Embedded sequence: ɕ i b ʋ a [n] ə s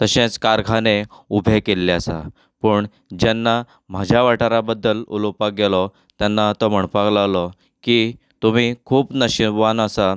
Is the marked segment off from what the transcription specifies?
no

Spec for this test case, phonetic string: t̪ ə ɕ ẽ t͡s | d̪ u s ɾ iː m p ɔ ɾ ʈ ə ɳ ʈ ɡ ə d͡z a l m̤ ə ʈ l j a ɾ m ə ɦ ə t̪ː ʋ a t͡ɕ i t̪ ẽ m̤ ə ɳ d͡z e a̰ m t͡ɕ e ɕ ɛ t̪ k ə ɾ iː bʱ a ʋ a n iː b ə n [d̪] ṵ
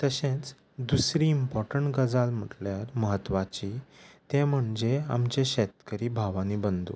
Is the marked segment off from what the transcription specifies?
no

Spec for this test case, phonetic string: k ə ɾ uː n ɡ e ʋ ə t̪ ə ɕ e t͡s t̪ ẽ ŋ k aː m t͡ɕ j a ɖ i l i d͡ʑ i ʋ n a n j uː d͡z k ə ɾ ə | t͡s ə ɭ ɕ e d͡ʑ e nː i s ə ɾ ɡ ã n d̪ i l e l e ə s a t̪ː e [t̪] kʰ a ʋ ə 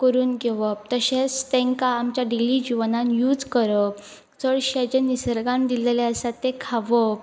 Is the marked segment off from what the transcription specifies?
yes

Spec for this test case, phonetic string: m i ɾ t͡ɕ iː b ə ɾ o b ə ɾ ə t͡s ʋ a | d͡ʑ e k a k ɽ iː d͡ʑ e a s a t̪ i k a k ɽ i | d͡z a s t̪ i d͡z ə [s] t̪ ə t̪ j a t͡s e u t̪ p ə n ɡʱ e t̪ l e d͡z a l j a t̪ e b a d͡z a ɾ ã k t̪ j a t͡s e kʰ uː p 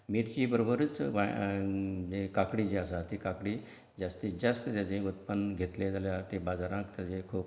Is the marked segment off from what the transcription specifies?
no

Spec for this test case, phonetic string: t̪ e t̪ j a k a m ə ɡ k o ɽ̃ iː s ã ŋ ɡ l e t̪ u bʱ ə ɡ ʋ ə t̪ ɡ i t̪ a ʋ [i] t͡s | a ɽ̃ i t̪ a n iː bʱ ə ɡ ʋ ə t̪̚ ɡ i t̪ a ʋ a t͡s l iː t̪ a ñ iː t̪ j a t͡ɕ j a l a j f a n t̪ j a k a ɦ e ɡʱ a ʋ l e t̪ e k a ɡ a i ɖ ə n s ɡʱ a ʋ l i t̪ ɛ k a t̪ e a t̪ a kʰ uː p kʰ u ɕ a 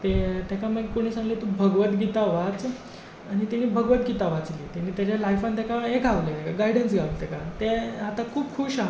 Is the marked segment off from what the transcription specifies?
yes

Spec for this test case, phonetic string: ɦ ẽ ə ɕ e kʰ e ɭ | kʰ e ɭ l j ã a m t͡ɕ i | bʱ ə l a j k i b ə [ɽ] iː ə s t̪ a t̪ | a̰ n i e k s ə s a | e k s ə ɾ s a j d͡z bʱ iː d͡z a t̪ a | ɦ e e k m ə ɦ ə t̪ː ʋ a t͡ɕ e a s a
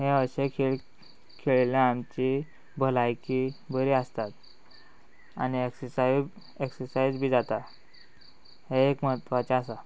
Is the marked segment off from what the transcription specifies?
yes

